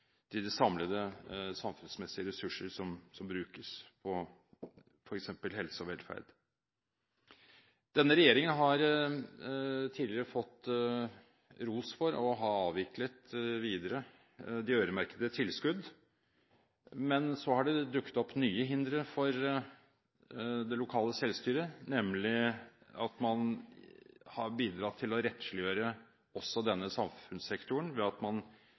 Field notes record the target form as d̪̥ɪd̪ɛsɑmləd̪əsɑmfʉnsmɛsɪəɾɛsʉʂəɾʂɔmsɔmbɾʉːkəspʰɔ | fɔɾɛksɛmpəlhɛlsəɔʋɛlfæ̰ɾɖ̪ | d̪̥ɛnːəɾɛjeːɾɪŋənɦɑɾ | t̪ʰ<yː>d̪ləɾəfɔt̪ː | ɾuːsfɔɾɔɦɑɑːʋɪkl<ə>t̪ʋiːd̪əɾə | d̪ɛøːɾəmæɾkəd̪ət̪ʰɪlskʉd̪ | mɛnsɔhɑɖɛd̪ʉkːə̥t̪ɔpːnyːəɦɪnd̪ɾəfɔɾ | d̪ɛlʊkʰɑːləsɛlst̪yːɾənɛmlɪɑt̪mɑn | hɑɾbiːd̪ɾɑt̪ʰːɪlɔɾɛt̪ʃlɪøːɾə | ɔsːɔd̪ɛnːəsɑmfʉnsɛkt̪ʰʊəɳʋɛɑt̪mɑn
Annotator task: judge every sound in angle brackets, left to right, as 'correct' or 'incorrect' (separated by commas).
incorrect, correct